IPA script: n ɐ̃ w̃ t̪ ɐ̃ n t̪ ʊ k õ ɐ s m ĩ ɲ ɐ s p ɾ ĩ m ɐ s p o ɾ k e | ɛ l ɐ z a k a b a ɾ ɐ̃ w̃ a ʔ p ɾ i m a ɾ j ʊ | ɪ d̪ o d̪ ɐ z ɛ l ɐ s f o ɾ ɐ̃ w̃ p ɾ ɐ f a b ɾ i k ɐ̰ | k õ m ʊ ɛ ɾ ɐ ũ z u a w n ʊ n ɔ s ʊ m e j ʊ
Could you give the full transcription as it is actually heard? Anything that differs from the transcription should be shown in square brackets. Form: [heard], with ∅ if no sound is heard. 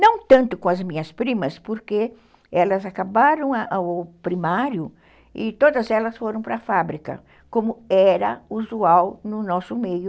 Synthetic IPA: n ɐ̃ w̃ t̪ ɐ̃ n t̪ ʊ k õ ɐ [z] m ĩ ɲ ɐ s p ɾ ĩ m ɐ s p o ɾ k e | ɛ l ɐ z a k a b a ɾ ɐ̃ w̃ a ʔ p ɾ i m a ɾ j ʊ | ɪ [t̪] o d̪ ɐ z ɛ l ɐ s f o ɾ ɐ̃ w̃ p ɾ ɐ f a b ɾ i k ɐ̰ | k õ m ʊ ɛ ɾ ɐ [u] z u a w n ʊ n ɔ s ʊ m e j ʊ